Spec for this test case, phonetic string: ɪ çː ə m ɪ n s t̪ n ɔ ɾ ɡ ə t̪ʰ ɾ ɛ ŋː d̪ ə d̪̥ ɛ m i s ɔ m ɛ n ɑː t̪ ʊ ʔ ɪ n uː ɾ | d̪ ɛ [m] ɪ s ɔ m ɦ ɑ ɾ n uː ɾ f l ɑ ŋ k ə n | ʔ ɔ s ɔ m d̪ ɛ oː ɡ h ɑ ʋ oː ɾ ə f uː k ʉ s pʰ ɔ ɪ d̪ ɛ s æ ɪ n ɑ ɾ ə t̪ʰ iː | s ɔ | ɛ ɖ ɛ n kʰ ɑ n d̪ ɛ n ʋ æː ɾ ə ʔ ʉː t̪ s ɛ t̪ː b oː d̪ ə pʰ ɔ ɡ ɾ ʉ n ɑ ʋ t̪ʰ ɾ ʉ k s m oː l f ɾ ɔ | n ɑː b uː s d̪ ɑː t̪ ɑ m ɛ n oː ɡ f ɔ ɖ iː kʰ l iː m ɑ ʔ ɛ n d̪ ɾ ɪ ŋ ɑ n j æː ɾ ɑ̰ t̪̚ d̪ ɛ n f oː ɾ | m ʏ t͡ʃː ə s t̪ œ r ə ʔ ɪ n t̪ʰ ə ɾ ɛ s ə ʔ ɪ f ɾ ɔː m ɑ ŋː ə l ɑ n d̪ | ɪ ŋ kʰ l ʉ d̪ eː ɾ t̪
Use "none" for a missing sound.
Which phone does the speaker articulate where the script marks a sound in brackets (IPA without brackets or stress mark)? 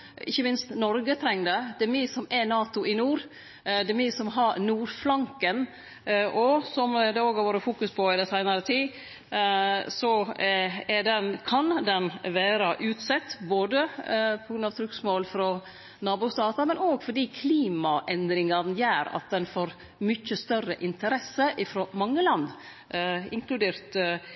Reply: m